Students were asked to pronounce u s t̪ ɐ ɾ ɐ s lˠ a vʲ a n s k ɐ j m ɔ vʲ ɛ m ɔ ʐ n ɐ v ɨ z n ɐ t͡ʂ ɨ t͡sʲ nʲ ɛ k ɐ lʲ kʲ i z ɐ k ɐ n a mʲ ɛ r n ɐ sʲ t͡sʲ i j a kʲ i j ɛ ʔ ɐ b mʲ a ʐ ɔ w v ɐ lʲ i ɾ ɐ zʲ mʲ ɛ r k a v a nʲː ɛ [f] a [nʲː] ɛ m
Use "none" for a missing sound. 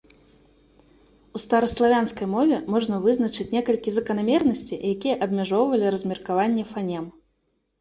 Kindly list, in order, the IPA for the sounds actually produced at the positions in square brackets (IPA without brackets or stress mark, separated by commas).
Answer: f, nʲ